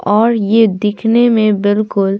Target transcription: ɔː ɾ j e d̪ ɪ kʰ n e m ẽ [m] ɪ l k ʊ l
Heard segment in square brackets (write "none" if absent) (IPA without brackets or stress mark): b